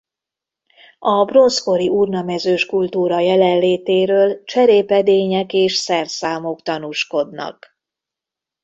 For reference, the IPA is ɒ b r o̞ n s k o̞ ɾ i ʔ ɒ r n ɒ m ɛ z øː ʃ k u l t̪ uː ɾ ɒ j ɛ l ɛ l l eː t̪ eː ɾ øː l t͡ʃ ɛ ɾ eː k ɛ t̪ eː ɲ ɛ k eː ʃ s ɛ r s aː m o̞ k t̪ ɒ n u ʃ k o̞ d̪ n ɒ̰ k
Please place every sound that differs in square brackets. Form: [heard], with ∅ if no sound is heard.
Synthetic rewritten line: ɒ b r o̞ n s k o̞ ɾ i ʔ [u] r n ɒ m ɛ z øː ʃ k u l t̪ uː ɾ ɒ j ɛ l ɛ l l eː t̪ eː ɾ øː l t͡ʃ ɛ ɾ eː [p] ɛ [d̪] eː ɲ ɛ k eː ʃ s ɛ r s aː m o̞ k t̪ ɒ n u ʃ k o̞ d̪ n ɒ̰ k

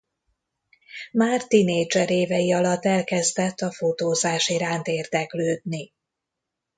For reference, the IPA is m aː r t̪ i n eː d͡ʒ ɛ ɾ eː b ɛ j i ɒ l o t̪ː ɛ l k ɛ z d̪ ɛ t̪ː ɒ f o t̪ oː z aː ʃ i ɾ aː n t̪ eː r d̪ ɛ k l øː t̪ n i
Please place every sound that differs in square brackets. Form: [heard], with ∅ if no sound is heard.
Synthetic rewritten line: m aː r t̪ i n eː d͡ʒ ɛ ɾ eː [v] ɛ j i ɒ l [ɒ] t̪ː ɛ l k ɛ z d̪ ɛ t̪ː ɒ f o t̪ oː z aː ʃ i ɾ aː n t̪ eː r d̪ ɛ k l øː [d̪] n i

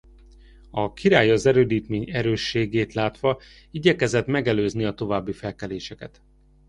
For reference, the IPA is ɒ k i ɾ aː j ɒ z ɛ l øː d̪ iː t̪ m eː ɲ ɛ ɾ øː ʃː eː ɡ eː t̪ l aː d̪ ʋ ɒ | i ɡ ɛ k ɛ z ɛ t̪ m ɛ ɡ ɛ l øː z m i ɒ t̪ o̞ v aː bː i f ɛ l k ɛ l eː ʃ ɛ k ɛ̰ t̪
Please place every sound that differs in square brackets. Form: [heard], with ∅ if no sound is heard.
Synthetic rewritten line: ɒ k i ɾ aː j ɒ z ɛ [ɾ] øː d̪ iː t̪ m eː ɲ ɛ ɾ øː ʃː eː ɡ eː t̪ l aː [t̪] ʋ ɒ | i [ɟ] ɛ k ɛ z ɛ t̪ m ɛ ɡ ɛ l øː z [n] i ɒ t̪ o̞ v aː bː i f ɛ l k ɛ l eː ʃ ɛ k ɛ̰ t̪

